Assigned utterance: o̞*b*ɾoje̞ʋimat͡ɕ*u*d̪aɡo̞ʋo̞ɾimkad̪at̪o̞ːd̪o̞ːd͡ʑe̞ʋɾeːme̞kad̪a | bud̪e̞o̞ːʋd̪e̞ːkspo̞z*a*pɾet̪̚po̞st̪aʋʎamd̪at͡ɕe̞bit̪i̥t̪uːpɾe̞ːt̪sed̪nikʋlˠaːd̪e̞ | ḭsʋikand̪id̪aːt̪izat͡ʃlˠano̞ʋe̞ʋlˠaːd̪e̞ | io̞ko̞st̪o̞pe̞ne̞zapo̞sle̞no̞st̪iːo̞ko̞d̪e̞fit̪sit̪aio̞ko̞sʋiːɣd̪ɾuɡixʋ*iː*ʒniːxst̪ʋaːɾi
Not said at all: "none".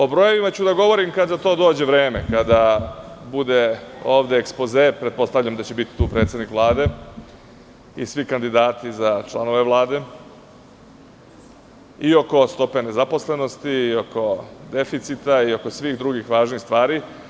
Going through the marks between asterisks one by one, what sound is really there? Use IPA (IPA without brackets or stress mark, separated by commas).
b, u, e, aː